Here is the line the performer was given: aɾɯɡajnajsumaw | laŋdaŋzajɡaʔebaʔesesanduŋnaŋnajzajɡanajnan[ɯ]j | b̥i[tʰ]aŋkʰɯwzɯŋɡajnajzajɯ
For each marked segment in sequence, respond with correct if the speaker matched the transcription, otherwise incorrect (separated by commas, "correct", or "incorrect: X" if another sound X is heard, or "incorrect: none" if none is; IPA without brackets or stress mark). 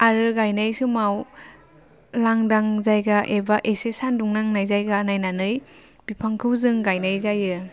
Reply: correct, incorrect: pʰ